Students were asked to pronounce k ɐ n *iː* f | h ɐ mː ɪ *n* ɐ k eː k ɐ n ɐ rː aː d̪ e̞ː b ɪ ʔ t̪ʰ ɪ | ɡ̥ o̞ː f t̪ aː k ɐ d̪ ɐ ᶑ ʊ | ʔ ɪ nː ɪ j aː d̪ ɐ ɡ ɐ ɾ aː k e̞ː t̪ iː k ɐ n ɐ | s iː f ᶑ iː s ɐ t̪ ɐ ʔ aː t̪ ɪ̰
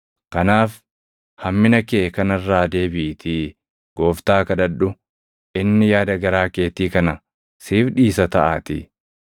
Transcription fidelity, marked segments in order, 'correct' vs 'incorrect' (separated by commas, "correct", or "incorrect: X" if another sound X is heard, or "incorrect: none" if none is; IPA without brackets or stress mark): incorrect: aː, correct